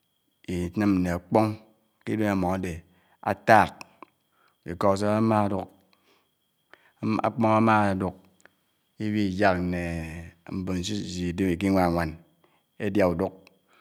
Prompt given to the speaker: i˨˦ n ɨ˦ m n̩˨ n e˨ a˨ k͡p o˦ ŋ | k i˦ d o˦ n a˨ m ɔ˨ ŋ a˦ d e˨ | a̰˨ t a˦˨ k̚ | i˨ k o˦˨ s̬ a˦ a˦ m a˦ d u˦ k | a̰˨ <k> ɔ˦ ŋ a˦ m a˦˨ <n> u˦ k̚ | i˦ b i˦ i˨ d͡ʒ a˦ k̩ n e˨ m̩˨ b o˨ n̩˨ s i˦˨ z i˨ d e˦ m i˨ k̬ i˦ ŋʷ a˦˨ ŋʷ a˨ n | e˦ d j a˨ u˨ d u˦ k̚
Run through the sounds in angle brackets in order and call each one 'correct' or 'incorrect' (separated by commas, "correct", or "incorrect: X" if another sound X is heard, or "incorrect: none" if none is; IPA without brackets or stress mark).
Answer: incorrect: k͡p, incorrect: d